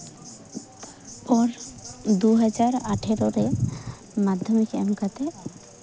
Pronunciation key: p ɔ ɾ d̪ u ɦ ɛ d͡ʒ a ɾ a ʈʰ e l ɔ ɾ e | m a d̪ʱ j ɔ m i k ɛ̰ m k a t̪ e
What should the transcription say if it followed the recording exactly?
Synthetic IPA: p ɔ ɾ d̪ u ɦ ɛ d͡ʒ a ɾ a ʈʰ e ɾ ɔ ɾ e | m a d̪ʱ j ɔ m i k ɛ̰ m k a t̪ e

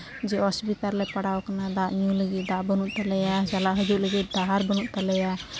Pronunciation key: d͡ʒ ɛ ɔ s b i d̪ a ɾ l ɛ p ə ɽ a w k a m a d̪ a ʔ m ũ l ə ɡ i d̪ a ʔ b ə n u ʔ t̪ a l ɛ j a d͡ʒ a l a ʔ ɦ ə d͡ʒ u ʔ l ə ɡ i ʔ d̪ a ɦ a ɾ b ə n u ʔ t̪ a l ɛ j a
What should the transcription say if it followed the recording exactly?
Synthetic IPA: d͡ʒ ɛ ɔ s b i t̪ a ɾ l ɛ p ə ɽ a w k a n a d̪ a ʔ ɲ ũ l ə ɡ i d̪ a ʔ b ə n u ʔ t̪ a l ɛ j a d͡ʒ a l a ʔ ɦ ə d͡ʒ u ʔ l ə ɡ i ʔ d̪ a ɦ a ɾ b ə n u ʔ t̪ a l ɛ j a

